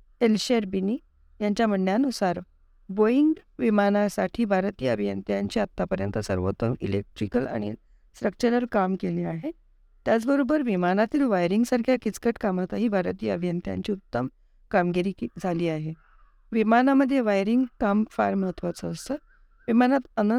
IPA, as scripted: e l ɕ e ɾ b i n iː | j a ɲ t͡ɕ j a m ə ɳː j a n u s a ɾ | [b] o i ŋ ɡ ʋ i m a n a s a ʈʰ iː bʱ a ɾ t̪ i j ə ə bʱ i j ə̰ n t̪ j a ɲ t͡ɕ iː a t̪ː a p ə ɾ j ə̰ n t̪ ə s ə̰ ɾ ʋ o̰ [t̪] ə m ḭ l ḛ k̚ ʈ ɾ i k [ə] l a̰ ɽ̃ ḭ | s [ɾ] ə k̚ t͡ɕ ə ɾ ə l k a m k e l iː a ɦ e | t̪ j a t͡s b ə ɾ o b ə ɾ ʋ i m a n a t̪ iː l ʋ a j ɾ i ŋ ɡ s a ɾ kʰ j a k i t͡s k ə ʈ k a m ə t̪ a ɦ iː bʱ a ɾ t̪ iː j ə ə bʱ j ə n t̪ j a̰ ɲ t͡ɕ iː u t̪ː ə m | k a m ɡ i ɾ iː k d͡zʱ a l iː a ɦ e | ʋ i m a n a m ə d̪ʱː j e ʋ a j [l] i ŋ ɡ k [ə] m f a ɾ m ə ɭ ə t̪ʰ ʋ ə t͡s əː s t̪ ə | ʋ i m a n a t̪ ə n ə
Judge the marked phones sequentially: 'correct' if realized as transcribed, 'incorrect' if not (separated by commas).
correct, correct, correct, correct, incorrect, incorrect